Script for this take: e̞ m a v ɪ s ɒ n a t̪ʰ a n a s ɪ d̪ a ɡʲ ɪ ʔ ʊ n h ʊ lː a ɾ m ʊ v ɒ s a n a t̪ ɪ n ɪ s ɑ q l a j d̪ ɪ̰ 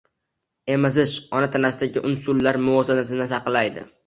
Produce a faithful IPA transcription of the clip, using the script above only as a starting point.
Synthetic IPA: e̞ m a z ɪ ʃ ɒ n a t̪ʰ a n a s ɪ d̪ a ɡʲ ɪ ʔ ʊ n s ʊ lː a ɾ m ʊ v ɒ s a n a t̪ ɪ n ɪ s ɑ q l a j d̪ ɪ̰